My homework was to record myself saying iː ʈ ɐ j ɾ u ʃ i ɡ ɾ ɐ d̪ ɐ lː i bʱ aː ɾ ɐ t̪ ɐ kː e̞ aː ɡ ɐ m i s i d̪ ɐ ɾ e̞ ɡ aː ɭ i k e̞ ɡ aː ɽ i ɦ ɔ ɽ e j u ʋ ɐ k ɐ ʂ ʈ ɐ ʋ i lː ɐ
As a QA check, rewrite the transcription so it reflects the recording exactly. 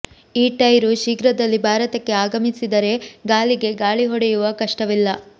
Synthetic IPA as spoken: iː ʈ ɐ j ɾ u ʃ i ɡ ɾ ɐ d̪ ɐ lː i bʱ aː ɾ ɐ t̪ ɐ kː e̞ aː ɡ ɐ m i s i d̪ ɐ ɾ e̞ ɡ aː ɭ i ɡ e̞ ɡ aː ɭ i ɦ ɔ ɽ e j u ʋ ɐ k ɐ ʂ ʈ ɐ ʋ i lː ɐ